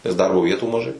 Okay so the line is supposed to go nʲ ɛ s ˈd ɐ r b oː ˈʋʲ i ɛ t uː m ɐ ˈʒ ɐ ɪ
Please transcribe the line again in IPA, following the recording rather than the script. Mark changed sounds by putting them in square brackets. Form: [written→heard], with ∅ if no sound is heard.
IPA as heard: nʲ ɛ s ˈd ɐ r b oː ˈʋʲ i ɛ t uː m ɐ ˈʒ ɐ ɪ